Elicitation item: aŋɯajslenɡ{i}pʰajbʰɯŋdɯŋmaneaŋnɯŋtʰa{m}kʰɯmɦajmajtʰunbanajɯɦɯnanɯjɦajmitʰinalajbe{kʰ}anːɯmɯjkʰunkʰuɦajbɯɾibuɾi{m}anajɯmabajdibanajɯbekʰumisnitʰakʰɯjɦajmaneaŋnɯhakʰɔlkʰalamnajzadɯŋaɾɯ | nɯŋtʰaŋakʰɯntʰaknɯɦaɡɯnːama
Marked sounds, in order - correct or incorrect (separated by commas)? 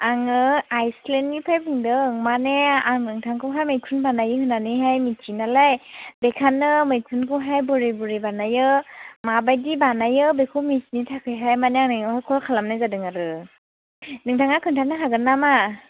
correct, incorrect, correct, incorrect